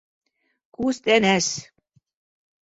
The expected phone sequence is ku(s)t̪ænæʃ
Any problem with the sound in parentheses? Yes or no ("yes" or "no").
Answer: no